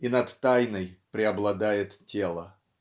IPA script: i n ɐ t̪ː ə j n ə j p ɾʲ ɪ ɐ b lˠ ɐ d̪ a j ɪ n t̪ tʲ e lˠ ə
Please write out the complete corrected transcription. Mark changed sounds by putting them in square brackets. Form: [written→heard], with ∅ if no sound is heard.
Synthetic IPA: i n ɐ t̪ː [ə→a] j n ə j p ɾʲ ɪ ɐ b lˠ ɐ d̪ a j ɪ [n→∅] t̪ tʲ e lˠ ə